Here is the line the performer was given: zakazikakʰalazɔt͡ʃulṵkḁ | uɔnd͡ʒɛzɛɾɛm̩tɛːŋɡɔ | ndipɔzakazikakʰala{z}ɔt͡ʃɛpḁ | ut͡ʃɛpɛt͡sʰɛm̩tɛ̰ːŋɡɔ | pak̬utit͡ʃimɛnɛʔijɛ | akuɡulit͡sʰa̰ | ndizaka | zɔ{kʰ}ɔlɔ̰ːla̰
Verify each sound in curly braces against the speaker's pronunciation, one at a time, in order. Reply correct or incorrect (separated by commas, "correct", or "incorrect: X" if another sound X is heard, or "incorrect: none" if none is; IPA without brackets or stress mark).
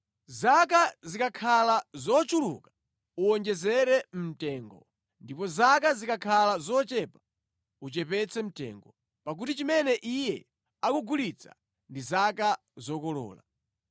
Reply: correct, incorrect: k